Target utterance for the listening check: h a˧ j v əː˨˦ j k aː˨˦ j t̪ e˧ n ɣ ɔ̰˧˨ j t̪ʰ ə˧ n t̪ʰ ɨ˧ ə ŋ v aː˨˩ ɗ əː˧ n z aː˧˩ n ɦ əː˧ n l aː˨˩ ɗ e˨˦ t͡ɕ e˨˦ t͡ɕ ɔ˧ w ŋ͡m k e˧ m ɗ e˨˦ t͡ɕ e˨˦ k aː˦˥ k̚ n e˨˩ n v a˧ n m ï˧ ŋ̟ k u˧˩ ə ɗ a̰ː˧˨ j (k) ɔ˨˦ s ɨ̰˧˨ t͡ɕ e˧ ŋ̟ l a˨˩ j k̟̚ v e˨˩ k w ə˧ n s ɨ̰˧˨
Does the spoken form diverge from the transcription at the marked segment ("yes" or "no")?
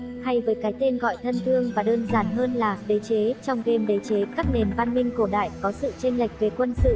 no